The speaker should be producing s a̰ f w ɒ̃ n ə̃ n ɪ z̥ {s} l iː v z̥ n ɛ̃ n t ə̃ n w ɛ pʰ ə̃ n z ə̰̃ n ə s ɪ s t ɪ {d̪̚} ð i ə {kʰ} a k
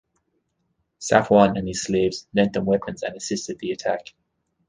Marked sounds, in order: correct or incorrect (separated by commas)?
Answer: correct, correct, incorrect